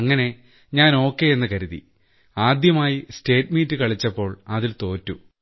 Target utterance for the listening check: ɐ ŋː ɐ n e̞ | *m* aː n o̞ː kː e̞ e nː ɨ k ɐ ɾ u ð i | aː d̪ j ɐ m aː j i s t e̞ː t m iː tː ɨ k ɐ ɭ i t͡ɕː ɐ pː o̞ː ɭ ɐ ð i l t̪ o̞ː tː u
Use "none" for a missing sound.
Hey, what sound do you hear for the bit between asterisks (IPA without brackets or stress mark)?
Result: ɲ